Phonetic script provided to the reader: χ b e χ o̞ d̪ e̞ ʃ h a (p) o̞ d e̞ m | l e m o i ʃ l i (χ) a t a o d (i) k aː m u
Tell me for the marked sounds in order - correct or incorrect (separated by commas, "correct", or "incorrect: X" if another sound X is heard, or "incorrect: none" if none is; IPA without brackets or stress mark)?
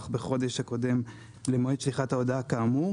incorrect: k, correct, incorrect: a